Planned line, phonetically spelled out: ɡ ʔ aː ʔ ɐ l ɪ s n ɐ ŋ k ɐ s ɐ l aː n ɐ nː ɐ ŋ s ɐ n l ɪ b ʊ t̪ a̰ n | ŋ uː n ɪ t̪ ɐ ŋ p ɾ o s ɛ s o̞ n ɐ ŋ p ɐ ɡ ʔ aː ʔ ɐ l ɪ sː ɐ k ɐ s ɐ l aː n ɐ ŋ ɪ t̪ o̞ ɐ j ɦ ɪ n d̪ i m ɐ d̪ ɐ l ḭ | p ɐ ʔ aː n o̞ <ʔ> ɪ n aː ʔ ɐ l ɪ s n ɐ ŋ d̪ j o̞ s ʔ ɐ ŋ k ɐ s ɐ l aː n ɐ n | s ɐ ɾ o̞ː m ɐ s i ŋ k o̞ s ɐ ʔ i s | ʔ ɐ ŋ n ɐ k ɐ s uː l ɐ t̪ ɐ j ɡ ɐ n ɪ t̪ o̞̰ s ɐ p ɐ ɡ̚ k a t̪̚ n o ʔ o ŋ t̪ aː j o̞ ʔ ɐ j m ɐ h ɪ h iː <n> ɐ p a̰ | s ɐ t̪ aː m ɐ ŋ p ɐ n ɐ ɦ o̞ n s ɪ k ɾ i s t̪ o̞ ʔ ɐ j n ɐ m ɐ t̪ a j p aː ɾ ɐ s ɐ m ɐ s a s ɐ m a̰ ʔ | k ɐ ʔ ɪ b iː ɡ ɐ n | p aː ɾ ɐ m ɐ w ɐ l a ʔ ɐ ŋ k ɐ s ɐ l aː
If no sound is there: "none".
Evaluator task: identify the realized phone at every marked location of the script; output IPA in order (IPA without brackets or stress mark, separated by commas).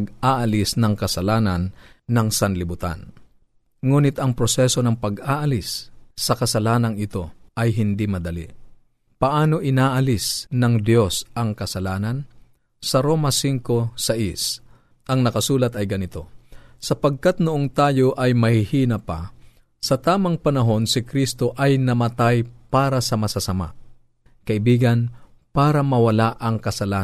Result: ʔ, n